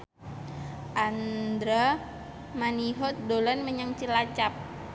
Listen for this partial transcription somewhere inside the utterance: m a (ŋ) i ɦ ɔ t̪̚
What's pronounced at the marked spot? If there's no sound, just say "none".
n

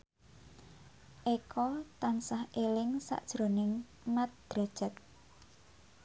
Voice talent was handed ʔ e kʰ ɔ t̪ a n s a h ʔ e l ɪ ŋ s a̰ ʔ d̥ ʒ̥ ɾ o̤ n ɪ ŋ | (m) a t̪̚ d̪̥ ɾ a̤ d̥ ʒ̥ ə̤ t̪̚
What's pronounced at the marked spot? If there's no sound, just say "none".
m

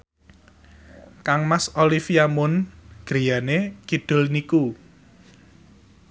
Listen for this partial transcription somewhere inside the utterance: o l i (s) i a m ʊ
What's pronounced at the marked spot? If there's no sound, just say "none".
f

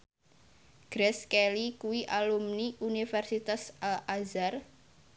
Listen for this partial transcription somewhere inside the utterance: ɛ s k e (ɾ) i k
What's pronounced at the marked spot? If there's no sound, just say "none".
l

